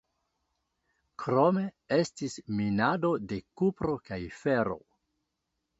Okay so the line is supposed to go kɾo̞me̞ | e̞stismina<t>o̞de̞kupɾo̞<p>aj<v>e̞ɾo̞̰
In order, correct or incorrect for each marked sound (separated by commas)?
incorrect, incorrect, incorrect